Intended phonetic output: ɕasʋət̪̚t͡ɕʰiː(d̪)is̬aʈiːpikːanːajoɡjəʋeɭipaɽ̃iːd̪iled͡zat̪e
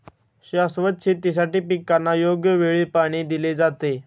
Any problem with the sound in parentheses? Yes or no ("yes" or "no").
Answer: yes